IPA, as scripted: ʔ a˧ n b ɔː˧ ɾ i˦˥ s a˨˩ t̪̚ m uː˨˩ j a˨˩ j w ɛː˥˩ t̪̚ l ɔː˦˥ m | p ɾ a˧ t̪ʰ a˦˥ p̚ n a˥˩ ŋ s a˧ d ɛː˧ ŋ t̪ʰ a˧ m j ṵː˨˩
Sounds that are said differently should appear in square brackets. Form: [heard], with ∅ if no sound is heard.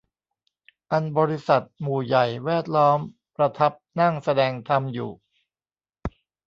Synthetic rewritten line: ʔ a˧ n b ɔː˧ ɾ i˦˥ s a˨˩ t̪̚ m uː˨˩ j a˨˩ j w ɛː˥˩ t̪̚ l ɔː˦˥ m | p ɾ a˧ t̪ʰ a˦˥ p̚ n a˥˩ ŋ s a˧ d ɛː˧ ŋ t̪ʰ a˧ m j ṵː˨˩